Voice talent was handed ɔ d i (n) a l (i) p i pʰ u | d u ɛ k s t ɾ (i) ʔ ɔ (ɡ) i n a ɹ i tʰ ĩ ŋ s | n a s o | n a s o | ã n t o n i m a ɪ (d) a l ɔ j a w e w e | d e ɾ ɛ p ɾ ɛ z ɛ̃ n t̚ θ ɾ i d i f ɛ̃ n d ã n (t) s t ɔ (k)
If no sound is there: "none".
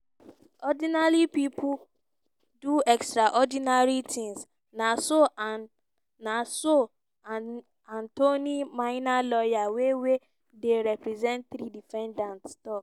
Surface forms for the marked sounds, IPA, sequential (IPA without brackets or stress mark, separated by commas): n, i, a, d, n, t, k